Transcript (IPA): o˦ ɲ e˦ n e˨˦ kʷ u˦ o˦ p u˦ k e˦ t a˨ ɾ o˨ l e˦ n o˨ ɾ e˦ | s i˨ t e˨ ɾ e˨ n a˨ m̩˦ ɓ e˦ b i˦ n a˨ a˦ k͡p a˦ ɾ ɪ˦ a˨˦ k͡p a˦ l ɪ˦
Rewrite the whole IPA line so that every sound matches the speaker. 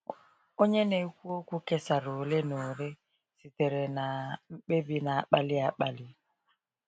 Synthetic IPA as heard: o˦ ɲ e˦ n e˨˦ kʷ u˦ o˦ k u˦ k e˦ s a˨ ɾ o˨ l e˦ n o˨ ɾ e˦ | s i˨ t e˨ ɾ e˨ n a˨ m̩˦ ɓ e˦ b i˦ n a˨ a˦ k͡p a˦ l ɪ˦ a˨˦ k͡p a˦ l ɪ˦